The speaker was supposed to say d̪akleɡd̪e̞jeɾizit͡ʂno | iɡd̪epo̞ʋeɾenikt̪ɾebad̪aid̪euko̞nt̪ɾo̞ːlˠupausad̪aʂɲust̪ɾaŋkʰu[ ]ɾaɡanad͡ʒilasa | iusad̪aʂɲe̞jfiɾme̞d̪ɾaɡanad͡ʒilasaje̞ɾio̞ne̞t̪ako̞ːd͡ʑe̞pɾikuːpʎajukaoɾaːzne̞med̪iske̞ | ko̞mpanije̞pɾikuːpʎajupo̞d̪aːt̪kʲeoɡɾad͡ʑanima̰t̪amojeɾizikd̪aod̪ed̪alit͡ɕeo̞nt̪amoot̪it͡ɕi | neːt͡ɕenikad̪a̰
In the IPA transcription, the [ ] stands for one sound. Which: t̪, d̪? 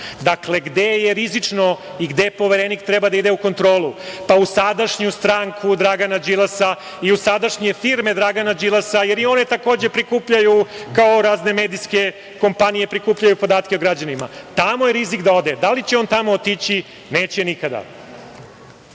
d̪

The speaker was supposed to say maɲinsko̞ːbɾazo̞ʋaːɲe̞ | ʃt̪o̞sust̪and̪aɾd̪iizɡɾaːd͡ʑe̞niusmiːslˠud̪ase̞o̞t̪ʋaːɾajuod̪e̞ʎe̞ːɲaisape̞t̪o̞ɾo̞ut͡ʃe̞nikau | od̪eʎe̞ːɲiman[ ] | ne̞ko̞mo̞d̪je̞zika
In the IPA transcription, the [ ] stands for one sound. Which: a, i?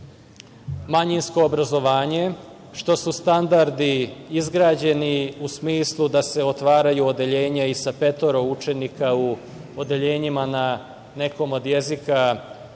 a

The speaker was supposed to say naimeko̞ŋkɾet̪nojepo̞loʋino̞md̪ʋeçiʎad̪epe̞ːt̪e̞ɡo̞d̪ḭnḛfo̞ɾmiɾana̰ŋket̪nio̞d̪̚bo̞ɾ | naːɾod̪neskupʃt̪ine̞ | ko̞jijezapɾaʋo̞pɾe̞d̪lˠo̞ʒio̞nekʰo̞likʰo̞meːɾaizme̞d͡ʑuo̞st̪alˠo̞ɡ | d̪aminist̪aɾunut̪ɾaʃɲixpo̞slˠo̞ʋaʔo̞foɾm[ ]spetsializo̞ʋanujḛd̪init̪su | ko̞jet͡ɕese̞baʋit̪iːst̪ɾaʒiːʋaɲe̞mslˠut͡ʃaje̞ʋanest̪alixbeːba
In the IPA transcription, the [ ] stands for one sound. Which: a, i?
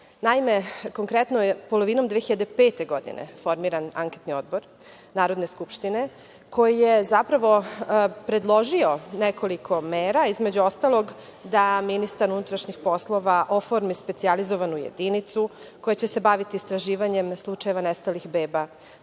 i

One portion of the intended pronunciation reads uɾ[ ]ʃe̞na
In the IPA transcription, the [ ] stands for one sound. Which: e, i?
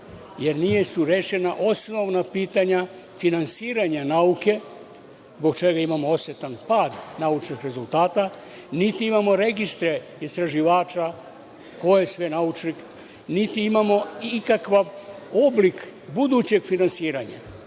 e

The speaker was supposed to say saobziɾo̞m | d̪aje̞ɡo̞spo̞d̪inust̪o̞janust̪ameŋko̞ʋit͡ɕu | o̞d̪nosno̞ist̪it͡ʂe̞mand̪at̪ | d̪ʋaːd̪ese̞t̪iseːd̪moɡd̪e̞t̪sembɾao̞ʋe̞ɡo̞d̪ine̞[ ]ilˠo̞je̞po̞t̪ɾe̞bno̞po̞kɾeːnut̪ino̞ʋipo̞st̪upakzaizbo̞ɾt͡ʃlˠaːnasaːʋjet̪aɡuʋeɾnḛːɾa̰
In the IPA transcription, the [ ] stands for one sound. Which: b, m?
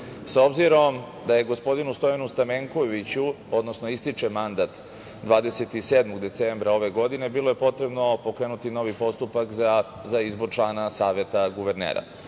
b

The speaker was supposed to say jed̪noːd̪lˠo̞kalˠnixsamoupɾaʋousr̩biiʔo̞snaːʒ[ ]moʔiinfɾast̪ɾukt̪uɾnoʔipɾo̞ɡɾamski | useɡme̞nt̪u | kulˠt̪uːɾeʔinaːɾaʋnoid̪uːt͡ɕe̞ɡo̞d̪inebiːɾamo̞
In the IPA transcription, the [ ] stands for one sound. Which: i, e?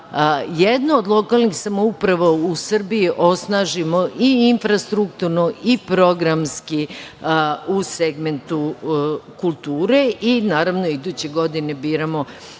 i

